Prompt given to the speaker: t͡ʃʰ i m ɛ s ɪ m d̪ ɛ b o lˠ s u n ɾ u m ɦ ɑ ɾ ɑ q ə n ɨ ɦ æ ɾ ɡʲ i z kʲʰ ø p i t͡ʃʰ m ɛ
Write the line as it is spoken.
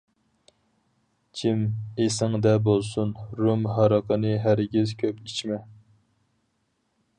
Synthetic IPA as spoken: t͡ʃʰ i m e s ɪ ŋ d̪ ɛ b o lˠ s u n ɾ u m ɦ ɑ ɾ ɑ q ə n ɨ ɦ æ ɾ ɡʲ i z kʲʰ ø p i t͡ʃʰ m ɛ

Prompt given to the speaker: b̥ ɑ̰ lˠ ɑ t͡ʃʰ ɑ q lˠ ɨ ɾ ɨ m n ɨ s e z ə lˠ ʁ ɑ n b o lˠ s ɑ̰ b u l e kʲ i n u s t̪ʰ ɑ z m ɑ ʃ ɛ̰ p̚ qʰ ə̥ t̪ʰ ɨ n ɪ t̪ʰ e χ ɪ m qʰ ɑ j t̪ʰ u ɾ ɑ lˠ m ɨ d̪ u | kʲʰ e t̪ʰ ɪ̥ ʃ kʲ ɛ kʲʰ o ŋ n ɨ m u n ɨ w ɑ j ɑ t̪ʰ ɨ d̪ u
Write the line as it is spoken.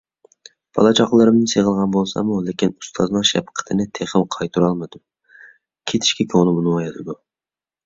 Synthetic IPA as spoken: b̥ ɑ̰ lˠ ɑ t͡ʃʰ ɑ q lˠ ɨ ɾ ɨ m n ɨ s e ʁ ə lˠ ʁ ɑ n b o lˠ s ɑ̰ m u l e kʲ i n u s t̪ʰ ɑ z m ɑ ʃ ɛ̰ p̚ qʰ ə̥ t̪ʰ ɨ n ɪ t̪ʰ e χ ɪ m qʰ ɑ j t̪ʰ u ɾ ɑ lˠ m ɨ d̪ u | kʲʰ e t̪ʰ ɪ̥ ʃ kʲ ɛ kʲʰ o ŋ n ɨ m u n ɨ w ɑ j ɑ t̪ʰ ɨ d̪ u

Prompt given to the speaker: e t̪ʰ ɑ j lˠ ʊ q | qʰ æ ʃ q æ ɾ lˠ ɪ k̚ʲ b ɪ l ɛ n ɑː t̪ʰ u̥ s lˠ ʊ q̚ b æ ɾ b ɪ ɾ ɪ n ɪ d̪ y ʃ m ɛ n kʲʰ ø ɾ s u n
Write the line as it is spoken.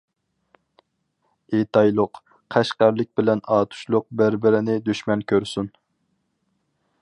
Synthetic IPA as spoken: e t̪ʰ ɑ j lˠ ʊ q | qʰ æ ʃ q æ ɾ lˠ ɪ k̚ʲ b ɪ l ɛ n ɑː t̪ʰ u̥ ʃ lˠ ʊ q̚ b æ ɾ b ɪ ɾ ɪ n ɪ d̪ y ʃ m ɛ n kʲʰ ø ɾ s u n

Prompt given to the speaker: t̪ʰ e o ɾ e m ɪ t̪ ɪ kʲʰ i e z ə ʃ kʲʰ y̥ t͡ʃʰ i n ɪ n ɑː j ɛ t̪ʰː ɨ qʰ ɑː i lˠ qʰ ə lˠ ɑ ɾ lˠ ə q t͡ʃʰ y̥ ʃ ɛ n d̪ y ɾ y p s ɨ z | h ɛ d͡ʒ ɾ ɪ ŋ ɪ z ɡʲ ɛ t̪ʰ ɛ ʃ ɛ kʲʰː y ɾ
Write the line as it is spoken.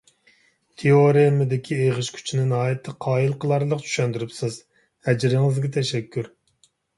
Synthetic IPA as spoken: t̪ʰ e o ɾ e m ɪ d̪ ɪ kʲʰ i e ʁ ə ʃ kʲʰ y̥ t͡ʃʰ i n ɪ n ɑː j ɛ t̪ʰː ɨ qʰ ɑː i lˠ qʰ ə lˠ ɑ ɾ lˠ ə q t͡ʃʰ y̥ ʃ ɛ n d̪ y ɾ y p s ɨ z | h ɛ d͡ʒ ɾ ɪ ŋ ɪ z ɡʲ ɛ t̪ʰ ɛ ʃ ɛ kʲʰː y ɾ

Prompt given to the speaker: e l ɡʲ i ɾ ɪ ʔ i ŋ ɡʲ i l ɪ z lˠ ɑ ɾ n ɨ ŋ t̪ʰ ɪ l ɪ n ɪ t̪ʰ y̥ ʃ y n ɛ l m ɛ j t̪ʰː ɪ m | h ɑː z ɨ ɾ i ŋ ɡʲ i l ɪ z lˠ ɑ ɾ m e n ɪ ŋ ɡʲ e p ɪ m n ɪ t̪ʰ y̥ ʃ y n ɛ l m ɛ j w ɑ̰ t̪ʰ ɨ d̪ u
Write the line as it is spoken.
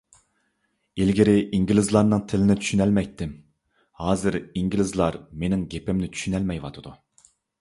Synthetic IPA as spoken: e l ɡʲ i ɾ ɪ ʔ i ŋ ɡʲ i l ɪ z lˠ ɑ ɾ n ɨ ŋ t̪ʰ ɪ l ɪ n ɪ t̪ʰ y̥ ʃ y n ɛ l m ɛ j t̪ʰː ɪ m | h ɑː z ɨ ɾ i ŋ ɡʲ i l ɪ z lˠ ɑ ɾ m e n ɪ ŋ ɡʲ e p ɪ m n ɪ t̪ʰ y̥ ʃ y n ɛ l m ɛ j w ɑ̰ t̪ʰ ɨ d̪ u

